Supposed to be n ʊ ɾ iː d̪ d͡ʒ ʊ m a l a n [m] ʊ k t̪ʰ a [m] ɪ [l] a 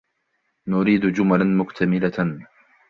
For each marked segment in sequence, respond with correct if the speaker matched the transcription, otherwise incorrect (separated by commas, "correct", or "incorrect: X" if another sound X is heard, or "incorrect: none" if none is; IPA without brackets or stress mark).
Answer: correct, correct, correct